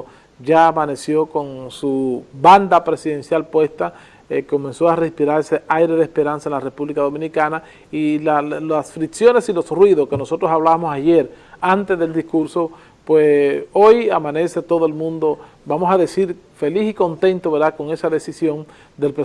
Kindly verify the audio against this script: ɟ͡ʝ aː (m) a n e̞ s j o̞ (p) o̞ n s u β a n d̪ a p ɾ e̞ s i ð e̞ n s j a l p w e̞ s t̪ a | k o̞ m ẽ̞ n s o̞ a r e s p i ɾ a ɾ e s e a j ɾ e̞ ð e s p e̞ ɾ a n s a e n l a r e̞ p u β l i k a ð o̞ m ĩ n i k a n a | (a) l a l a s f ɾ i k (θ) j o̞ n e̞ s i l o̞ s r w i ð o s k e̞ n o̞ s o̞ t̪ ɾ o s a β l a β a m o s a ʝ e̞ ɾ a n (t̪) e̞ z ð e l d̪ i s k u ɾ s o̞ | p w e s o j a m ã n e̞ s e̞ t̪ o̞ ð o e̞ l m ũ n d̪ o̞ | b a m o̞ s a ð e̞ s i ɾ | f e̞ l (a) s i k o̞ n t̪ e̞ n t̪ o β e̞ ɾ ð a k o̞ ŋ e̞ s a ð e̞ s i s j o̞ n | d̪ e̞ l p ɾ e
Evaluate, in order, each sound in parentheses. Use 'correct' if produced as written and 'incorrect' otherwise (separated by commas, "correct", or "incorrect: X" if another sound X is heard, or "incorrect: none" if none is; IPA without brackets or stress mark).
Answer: correct, incorrect: k, incorrect: i, incorrect: s, correct, incorrect: i